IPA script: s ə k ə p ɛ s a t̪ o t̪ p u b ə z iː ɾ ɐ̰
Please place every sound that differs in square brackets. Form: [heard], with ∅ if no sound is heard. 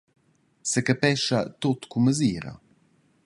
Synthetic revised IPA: s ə k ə p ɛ [ʃ] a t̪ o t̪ [k] u [m] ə z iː ɾ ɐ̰

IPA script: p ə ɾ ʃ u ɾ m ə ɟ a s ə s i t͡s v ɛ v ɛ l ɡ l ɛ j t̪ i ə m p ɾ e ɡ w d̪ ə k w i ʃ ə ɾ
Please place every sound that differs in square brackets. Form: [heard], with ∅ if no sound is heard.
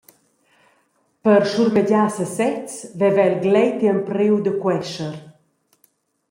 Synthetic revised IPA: p ə ɾ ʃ u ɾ m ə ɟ a s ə s [ɛ] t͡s v ɛ v ɛ l ɡ l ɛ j t̪ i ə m p ɾ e [∅] w d̪ ə k w [ɛ] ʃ ə ɾ

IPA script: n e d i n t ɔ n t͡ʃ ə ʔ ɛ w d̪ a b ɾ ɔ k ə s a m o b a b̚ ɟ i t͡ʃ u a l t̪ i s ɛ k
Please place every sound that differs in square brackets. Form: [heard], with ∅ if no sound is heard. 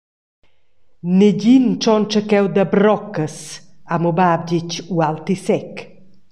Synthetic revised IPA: n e [ɟ] i n [t͡ʃ] ɔ n t͡ʃ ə [k] ɛ w d̪ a b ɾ ɔ k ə s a m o b a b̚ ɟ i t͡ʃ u a l t̪ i s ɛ k

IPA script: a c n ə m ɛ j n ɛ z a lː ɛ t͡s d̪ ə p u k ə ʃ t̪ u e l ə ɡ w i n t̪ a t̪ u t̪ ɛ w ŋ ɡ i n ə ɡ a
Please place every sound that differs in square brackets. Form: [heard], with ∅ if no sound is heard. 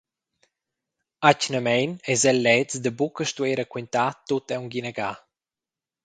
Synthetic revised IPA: a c n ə m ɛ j n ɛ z [ɛ] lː ɛ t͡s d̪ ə [b] u k ə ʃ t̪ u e [ɾ] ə [k] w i n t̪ a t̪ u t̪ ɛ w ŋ ɡ i n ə ɡ a

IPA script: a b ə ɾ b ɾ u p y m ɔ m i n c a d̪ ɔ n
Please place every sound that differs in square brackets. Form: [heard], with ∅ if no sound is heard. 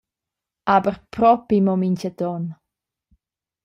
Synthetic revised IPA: a b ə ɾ [p] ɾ [ɔ] p [i] m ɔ m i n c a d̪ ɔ n

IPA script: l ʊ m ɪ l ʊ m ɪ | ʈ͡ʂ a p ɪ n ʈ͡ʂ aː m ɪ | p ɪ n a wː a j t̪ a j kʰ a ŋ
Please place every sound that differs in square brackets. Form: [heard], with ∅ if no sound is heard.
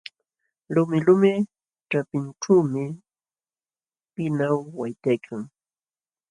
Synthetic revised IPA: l ʊ m ɪ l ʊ m ɪ | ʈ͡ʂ a p ɪ n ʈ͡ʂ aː m ɪ | p ɪ n a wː a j t̪ a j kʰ a ŋ

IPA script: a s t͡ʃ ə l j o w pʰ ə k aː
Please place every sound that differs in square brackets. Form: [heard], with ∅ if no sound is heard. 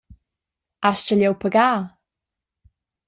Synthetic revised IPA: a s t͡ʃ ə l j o w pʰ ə [ɡ] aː

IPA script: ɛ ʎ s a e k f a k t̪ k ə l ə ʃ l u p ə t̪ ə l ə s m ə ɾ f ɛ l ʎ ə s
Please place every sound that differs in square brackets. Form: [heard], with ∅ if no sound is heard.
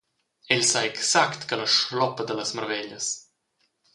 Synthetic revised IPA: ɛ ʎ s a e k [s] a k t̪ k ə l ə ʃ l [ɔ] p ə [d̪] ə l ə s m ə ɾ [v] ɛ [∅] ʎ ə s

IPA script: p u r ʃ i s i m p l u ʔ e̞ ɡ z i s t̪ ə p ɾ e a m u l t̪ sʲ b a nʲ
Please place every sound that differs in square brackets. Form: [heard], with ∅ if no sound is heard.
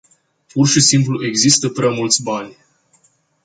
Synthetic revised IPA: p u r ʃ i s i m p l u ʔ e̞ ɡ z i s t̪ ə p ɾ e a m u l t̪ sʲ b a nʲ

